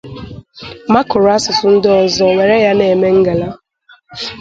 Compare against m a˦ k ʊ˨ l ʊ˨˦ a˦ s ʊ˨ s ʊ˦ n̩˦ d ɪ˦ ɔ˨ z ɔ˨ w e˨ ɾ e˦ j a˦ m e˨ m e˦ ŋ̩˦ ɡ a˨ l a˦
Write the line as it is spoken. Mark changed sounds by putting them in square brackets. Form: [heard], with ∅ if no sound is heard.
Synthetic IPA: m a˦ k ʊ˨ [ɾ] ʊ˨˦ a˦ s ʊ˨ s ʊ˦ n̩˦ d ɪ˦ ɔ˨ z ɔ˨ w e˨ ɾ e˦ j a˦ [n] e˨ m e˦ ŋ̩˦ ɡ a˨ l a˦

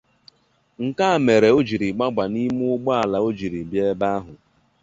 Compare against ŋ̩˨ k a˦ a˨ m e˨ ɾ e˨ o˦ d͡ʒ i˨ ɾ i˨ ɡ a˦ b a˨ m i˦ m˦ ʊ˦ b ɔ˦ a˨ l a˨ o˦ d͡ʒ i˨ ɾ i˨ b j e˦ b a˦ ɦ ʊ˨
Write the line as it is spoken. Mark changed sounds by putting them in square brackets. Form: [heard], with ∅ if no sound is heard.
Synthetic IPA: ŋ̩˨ k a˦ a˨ m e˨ ɾ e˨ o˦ d͡ʒ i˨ ɾ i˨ [ɡ͡b] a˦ [ɡ͡b] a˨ [n] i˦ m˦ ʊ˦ [ɡ͡b] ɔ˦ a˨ l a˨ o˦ d͡ʒ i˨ ɾ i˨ b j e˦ b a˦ ɦ ʊ˨

